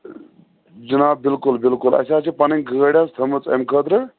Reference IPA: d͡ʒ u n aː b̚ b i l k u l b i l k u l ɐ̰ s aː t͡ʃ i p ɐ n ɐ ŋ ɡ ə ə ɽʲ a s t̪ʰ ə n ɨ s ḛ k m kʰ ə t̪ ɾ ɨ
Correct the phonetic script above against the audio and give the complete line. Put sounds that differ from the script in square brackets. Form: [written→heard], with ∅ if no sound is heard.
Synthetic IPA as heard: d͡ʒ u n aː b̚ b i l k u l b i l k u l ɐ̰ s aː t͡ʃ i p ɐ n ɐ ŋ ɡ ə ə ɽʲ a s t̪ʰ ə [n→m] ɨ [s→t͡s] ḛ [k→∅] m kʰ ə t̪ ɾ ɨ